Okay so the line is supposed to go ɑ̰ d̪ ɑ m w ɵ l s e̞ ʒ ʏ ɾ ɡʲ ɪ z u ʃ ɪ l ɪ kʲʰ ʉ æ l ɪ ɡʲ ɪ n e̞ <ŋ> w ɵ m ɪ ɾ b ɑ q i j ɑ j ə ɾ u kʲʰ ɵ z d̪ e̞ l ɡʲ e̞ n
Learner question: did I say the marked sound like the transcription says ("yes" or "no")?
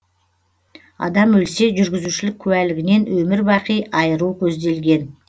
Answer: no